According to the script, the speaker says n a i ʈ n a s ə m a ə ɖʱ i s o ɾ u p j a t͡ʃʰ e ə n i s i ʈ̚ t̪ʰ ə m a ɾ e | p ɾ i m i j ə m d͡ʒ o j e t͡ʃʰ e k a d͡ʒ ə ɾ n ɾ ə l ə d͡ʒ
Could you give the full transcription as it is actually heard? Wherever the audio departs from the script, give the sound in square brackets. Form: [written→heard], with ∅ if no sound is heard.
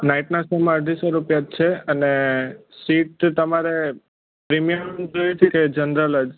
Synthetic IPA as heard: n a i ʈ n a s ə m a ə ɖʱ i s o ɾ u p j a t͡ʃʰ e ə n [i→e] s i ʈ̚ [t̪ʰ→t̪] ə m a ɾ e | p ɾ i m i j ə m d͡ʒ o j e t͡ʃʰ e k [a→e] d͡ʒ ə [ɾ→∅] n ɾ ə l ə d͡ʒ